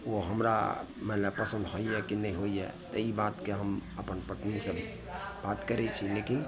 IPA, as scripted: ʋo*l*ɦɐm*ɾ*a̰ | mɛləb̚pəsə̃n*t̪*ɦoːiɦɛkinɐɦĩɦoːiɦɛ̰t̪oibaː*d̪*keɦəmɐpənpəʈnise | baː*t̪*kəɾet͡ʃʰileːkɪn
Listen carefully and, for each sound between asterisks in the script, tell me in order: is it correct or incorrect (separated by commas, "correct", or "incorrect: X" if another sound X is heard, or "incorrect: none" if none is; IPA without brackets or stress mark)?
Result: incorrect: none, correct, incorrect: d̪, incorrect: t̪, correct